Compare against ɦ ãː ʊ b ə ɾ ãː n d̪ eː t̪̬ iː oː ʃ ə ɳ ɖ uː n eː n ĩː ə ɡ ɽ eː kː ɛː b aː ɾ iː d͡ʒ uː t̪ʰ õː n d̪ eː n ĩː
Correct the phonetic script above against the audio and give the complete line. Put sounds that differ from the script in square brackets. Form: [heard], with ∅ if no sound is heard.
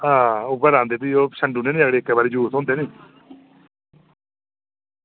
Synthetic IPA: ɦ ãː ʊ b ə ɾ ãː n d̪ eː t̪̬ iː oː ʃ ə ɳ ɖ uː n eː n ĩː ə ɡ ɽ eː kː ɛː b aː ɾ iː d͡ʒ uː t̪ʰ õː n d̪ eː n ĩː